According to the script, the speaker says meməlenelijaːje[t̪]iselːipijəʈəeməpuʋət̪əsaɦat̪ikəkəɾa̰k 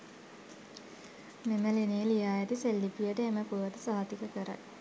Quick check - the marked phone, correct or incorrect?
correct